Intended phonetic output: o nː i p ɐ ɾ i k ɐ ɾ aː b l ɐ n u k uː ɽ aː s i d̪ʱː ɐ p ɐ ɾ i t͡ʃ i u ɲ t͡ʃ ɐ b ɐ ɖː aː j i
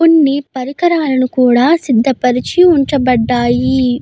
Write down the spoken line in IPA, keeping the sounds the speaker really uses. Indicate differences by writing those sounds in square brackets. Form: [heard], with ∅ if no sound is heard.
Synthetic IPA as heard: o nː i p ɐ ɾ i k ɐ ɾ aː [∅] l ɐ n u k uː ɽ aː s i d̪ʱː ɐ p ɐ ɾ i t͡ʃ i u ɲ t͡ʃ ɐ b ɐ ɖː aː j i